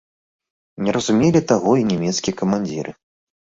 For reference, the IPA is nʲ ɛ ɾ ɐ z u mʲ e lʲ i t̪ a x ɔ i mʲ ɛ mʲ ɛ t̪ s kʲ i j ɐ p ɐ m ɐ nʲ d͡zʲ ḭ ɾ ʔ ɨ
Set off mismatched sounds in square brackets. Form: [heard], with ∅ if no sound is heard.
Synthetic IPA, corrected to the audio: nʲ ɛ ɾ ɐ z u mʲ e lʲ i t̪ a [ɣ] ɔ i [nʲ] ɛ mʲ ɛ t̪ s kʲ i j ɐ [k] ɐ m [a] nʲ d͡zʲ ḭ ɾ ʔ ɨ